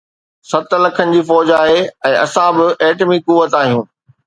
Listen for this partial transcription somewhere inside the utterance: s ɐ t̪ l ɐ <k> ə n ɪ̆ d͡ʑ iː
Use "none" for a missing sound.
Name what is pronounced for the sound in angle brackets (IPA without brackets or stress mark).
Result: kʰ